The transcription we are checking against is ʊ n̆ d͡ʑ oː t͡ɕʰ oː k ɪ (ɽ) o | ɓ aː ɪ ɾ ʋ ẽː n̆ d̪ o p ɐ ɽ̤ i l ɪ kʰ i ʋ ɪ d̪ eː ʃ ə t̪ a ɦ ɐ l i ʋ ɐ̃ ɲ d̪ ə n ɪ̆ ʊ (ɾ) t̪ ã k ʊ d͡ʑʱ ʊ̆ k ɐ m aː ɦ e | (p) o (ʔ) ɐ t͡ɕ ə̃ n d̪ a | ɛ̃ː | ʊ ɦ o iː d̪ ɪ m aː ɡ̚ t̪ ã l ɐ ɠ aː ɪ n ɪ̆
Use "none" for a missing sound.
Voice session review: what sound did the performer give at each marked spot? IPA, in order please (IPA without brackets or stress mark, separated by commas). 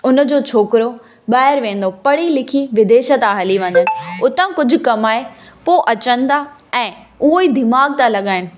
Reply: ɾ, none, p, ʔ